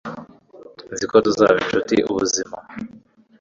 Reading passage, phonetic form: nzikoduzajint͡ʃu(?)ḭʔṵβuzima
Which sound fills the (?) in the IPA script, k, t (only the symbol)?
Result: t